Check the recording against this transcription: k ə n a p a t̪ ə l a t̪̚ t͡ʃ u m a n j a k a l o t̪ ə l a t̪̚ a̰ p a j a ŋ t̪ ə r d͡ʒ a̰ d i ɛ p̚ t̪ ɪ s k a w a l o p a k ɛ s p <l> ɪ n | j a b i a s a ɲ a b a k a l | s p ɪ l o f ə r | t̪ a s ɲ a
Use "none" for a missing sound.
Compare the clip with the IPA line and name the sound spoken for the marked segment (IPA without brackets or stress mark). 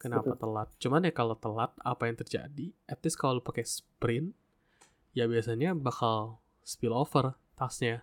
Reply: ɾ